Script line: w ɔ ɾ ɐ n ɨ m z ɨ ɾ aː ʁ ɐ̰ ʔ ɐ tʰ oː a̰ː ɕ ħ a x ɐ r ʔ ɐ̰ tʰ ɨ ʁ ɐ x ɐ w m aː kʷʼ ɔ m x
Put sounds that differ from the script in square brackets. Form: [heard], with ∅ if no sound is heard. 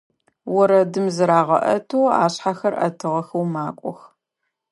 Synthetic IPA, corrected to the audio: w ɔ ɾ ɐ [d] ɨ m z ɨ ɾ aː ʁ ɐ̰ ʔ ɐ tʰ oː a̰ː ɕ ħ a x ɐ r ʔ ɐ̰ tʰ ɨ ʁ ɐ x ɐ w m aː kʷʼ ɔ [∅] x